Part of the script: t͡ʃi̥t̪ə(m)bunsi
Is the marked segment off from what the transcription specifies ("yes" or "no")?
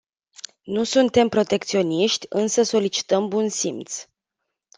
no